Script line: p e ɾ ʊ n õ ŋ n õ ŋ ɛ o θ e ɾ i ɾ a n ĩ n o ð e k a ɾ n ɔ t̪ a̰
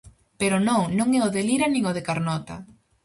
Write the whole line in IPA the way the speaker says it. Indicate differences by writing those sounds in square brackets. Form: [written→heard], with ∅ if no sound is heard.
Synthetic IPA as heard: p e ɾ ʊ n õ ŋ n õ ŋ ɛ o [θ→ð] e [ɾ→l] i ɾ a n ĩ [n→ŋ] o ð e k a ɾ n ɔ t̪ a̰

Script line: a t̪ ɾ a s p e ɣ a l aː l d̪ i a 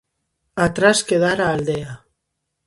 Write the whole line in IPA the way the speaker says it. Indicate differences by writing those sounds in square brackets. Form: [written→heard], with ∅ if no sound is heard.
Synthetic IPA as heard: a t̪ ɾ a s [p→k] e [ɣ→ð] a [l→ɾ] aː l d̪ [i→e] a

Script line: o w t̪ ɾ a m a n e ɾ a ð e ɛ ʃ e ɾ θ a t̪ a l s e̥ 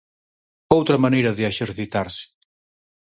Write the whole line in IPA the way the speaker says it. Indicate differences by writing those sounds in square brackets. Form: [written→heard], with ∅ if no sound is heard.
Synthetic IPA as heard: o w t̪ ɾ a m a n e ɾ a ð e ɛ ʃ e ɾ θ [a→i] t̪ a [l→ɾ] s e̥

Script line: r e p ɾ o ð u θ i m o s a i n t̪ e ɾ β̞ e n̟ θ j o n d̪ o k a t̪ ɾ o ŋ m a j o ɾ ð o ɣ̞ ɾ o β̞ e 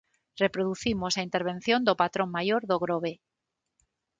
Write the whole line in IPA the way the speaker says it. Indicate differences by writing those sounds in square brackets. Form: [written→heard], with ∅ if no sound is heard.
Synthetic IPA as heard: r e p ɾ o ð u θ i m o s a i n t̪ e ɾ β̞ e n̟ θ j o n d̪ o [k→p] a t̪ ɾ o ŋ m a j o ɾ ð o ɣ̞ ɾ o β̞ e

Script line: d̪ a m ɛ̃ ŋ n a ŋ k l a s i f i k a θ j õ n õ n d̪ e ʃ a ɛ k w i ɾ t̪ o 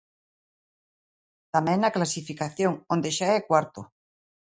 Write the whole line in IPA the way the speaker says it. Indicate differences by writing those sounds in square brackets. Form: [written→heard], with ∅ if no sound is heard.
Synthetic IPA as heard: [d̪→t̪] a m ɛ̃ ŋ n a [ŋ→∅] k l a s i f i k a θ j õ [n→ŋ] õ n d̪ e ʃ a ɛ k w [i→a] ɾ t̪ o

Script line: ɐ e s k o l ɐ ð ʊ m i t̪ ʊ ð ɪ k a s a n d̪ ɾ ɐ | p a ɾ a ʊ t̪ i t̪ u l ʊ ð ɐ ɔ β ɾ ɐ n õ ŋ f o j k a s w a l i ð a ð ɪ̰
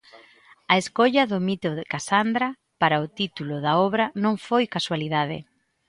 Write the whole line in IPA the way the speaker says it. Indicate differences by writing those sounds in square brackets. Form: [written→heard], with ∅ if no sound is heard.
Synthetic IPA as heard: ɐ e s k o [l→ʎ] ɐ ð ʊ m i t̪ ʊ ð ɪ k a s a n d̪ ɾ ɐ | p a ɾ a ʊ t̪ i t̪ u l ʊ ð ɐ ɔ β ɾ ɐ n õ ŋ f o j k a s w a l i ð a ð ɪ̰

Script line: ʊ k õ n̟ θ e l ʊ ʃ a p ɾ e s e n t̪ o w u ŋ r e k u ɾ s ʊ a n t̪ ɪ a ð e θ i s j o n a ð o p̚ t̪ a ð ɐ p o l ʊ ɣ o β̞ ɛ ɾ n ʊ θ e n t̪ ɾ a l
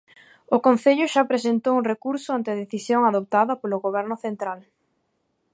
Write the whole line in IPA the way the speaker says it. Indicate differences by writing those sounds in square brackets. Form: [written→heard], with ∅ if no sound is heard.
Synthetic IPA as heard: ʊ k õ n̟ θ e [l→ʎ] ʊ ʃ a p ɾ e s e n t̪ o w u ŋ r e k u ɾ s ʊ a n t̪ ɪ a ð e θ i s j o [n→ŋ] a ð o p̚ t̪ a ð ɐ p o l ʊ ɣ o β̞ ɛ ɾ n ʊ θ e n t̪ ɾ a l

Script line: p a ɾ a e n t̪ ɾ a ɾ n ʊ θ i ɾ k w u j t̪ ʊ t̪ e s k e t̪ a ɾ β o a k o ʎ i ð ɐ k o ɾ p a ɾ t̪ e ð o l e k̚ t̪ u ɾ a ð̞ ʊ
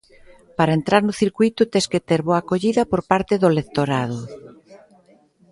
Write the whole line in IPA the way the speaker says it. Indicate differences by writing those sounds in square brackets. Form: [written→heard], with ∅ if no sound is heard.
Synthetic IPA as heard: p a ɾ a e n t̪ ɾ a ɾ n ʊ θ i ɾ k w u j t̪ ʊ t̪ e s k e t̪ [a→e] ɾ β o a k o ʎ i ð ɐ [k→p] o ɾ p a ɾ t̪ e ð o l e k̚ t̪ [u→o] ɾ a ð̞ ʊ

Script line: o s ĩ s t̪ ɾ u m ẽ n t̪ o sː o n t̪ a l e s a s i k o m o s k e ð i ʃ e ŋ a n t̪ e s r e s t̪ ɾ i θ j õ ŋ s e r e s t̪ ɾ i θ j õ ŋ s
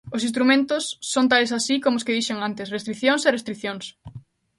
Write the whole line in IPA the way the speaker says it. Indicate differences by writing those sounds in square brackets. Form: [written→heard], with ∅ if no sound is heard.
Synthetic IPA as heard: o s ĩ s t̪ ɾ u m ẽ n t̪ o sː o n t̪ a l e s a s i k o m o s k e ð i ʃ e ŋ a n t̪ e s r e s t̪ ɾ i θ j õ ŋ s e r e s t̪ ɾ i θ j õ ŋ s

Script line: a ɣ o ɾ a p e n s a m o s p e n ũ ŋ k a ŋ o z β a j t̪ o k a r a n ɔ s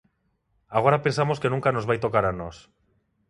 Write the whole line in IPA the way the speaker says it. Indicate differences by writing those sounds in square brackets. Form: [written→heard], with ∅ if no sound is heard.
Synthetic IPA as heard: a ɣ o ɾ a p e n s a m o s [p→k] e n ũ ŋ k a [ŋ→n] o z β a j t̪ o k a [r→ɾ] a n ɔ s

